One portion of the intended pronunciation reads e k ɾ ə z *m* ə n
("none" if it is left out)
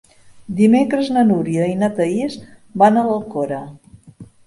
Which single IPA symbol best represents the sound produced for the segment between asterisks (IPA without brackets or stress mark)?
n